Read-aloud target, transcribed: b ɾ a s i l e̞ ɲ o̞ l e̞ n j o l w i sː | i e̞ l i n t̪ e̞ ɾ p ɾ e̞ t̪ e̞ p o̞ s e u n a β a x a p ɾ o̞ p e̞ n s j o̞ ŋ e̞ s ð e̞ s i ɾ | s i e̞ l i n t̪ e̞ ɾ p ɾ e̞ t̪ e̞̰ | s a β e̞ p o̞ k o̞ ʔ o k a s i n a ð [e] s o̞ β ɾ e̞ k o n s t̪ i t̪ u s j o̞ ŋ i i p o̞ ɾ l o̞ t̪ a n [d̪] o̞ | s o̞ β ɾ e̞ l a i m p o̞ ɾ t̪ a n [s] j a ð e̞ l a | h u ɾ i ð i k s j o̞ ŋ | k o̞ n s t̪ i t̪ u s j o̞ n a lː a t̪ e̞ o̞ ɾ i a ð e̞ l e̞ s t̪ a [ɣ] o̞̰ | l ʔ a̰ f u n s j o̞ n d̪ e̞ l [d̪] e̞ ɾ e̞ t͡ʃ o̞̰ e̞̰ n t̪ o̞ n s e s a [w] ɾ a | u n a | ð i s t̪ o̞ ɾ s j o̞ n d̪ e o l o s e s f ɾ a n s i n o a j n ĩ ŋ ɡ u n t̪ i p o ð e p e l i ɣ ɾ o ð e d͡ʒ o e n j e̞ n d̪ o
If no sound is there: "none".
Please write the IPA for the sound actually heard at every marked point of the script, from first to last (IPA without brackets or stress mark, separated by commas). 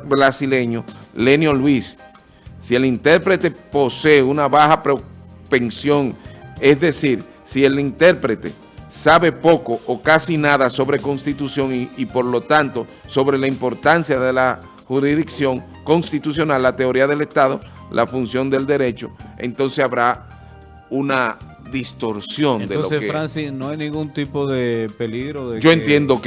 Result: a, t̪, s, ð, d̪, β